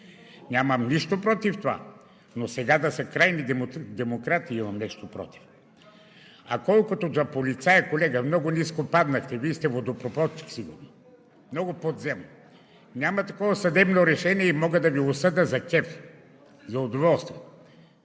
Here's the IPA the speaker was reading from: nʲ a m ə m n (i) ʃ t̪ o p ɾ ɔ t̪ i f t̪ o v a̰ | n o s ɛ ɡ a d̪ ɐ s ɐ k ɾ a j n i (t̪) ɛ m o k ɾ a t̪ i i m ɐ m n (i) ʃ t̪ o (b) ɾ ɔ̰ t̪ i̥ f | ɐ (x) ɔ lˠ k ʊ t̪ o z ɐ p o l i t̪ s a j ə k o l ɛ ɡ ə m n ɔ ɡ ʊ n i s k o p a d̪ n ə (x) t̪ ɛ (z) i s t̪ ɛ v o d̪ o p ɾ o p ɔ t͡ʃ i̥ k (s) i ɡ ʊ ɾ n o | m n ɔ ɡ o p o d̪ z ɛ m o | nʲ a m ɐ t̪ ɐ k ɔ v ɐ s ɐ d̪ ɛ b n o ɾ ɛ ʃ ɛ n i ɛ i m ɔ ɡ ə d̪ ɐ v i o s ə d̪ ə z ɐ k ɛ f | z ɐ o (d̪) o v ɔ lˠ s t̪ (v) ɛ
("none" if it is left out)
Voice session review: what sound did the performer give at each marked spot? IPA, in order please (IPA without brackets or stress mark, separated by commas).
i, d̪, ɛ, p, k, x, v, s, d̪, v